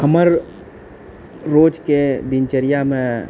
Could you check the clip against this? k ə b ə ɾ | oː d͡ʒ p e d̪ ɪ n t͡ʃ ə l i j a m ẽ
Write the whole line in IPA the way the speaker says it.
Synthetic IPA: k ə m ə ɾ | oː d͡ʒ k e d̪ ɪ n t͡ʃ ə ɾ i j a m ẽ

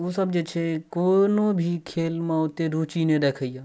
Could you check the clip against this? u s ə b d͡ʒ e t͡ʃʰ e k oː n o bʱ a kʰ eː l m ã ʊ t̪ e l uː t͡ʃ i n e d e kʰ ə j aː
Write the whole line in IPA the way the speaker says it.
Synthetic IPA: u s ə b d͡ʒ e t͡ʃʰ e k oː n o bʱ i kʰ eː l m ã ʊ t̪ e ɾ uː t͡ʃ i n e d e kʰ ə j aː

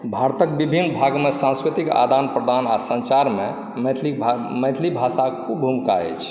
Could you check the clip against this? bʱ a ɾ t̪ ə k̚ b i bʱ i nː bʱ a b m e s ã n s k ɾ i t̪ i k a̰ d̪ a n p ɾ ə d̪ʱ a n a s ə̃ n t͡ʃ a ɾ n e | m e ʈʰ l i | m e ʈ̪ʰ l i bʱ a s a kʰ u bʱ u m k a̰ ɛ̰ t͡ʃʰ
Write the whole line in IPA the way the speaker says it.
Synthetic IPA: bʱ a ɾ t̪ ə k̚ b i bʱ i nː bʱ a ɡ m e s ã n s k ɾ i t̪ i k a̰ d̪ a n p ɾ ə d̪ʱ a n a s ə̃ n t͡ʃ a ɾ m e | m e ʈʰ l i | m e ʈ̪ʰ l i bʱ a s a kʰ u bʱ u m k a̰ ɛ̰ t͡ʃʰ

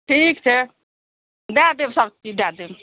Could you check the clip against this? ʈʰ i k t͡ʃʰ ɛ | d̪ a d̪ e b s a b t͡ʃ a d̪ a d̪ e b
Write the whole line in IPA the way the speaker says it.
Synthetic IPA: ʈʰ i k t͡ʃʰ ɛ | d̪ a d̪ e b s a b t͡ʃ i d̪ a d̪ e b

